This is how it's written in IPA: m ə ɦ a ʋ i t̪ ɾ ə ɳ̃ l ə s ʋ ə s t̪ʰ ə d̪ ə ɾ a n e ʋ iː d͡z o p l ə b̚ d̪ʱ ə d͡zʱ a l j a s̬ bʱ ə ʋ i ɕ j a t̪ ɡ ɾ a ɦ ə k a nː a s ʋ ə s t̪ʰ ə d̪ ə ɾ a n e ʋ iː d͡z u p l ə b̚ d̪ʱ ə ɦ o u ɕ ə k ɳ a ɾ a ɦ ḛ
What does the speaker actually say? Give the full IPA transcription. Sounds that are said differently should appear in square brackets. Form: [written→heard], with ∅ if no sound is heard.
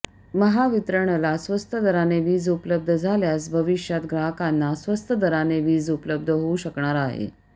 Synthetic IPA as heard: m ə ɦ a ʋ i t̪ ɾ ə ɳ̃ l [ə→a] s ʋ ə s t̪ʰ ə d̪ ə ɾ a n e ʋ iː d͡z [o→u] p l ə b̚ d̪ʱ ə d͡zʱ a l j a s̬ bʱ ə ʋ i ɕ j a t̪ ɡ ɾ a ɦ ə k a nː a s ʋ ə s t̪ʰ ə d̪ ə ɾ a n e ʋ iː d͡z u p l ə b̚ d̪ʱ ə ɦ o u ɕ ə k ɳ a ɾ a ɦ ḛ

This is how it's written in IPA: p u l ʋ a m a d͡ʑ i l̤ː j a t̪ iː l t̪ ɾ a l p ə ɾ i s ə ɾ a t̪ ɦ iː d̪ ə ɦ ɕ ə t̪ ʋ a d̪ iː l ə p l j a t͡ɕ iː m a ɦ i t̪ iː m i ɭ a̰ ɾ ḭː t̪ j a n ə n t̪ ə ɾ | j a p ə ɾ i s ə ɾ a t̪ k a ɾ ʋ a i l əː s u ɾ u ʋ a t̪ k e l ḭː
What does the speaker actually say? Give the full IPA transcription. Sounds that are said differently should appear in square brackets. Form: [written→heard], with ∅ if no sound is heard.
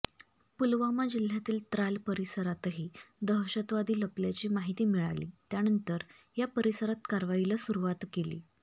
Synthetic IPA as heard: p u l ʋ a m a d͡ʑ i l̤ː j a t̪ iː l t̪ ɾ a l p ə ɾ i s ə ɾ a t̪ ɦ iː d̪ ə ɦ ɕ ə t̪ ʋ a d̪ iː l ə p l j a t͡ɕ iː m a ɦ i t̪ iː m i ɭ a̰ [ɾ→l] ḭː t̪ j a n ə n t̪ ə ɾ | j a p ə ɾ i s ə ɾ a t̪ k a ɾ ʋ a i l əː s u ɾ u ʋ a t̪ k e l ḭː

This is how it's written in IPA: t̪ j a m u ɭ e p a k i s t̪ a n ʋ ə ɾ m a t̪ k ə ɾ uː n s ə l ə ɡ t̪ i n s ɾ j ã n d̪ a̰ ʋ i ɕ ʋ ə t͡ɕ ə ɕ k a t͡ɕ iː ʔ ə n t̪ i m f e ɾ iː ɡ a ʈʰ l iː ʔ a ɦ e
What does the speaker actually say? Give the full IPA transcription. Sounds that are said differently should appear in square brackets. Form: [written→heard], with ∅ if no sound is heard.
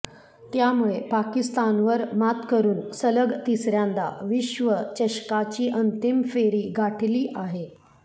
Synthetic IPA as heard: t̪ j a m u ɭ e p a k i s t̪ a n ʋ ə ɾ m a t̪ k ə ɾ uː n s ə l ə ɡ t̪ i [n→∅] s ɾ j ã n d̪ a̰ ʋ i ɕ ʋ ə t͡ɕ ə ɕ k a t͡ɕ iː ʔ ə n t̪ i m f e ɾ iː ɡ a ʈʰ l iː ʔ a ɦ e

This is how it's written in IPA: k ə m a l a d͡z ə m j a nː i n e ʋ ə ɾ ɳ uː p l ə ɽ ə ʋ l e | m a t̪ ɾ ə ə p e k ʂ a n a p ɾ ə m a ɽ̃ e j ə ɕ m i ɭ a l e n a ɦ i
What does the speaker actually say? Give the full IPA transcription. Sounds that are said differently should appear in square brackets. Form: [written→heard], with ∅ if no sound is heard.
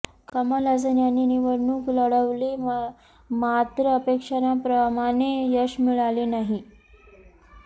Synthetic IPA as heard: k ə m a l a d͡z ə [m→n] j a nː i n [e→i] ʋ ə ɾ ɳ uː [p→k] l ə ɽ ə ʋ l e | m a t̪ ɾ ə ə p e k ʂ a n a p ɾ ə m a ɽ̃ e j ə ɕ m i ɭ a l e n a ɦ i

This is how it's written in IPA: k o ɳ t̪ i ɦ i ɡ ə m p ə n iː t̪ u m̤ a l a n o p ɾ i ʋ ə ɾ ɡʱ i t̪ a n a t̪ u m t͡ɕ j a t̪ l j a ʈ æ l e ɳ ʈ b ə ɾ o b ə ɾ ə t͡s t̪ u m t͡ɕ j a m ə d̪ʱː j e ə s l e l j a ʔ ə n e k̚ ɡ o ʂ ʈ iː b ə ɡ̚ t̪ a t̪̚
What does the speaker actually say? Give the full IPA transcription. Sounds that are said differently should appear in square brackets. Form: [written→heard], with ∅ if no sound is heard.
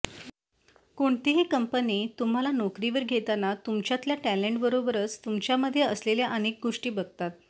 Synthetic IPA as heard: k o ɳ t̪ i ɦ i [ɡ→k] ə m p ə n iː t̪ u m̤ a l a n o [p→k] ɾ i ʋ ə ɾ ɡʱ [i→e] t̪ a n a t̪ u m t͡ɕ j a t̪ l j a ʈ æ l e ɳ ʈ b ə ɾ o b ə ɾ ə t͡s t̪ u m t͡ɕ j a m ə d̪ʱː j e ə s l e l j a ʔ ə n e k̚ ɡ o ʂ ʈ iː b ə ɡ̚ t̪ a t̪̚

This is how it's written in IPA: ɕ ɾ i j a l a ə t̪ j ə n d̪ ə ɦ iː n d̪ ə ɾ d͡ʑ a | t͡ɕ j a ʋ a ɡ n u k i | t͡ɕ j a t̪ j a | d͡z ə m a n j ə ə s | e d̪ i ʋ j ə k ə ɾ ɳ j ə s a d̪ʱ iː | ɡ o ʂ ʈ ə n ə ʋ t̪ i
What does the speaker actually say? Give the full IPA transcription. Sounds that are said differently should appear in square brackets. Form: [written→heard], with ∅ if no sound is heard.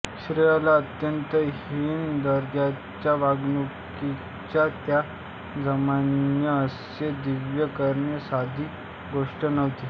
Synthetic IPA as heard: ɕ ɾ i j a l a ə t̪ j ə n [d̪→t̪] ə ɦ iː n d̪ ə ɾ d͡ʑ a | t͡ɕ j a ʋ a ɡ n u k i | t͡ɕ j a t̪ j a | d͡z ə m a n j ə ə s | e d̪ i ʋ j ə k ə ɾ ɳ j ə s a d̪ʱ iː | ɡ o ʂ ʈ ə n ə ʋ t̪ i

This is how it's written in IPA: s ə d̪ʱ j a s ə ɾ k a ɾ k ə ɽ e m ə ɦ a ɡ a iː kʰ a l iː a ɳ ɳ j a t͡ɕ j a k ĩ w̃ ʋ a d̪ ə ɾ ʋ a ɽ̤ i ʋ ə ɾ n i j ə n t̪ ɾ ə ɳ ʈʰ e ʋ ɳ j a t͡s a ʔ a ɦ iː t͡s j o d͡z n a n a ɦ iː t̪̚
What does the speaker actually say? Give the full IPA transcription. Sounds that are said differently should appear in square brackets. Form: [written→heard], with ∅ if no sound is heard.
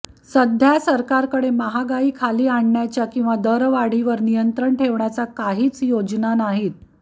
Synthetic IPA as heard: s ə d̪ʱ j a s ə ɾ k a ɾ k ə ɽ e m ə ɦ a ɡ a iː kʰ a l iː a ɳ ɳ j a t͡ɕ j a k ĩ w̃ ʋ a d̪ ə ɾ ʋ a ɽ̤ i ʋ ə ɾ n i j ə n t̪ ɾ ə ɳ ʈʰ e ʋ ɳ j a t͡s a [ʔ→k] a ɦ iː t͡s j o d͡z n a n a ɦ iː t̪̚

